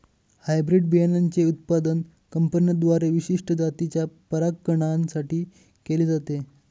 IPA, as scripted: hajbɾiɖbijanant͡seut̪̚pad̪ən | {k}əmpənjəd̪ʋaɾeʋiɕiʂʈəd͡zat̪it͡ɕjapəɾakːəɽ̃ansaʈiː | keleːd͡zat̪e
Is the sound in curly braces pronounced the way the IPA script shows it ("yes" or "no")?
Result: yes